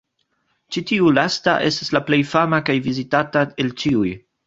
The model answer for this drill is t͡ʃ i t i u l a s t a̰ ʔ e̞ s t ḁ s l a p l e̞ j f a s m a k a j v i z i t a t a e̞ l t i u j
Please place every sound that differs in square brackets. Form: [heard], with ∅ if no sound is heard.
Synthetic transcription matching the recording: t͡ʃ i t i u l a s t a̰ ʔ e̞ s t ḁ s l a p l e̞ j f a [∅] m a k a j v i z i t a t a e̞ l [t͡ʃ] i u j